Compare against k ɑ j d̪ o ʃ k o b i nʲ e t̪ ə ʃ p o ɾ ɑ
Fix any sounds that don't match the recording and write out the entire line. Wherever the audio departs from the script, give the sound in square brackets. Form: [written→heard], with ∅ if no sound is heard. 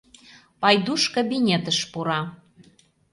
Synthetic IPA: [k→p] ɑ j d̪ [o→u] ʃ k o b i nʲ e t̪ ə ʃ p [o→u] ɾ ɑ